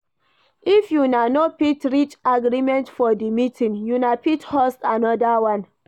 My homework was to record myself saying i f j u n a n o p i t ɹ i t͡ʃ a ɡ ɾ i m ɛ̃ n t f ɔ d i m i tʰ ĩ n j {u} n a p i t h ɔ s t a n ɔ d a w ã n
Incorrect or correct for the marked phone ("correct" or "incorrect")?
correct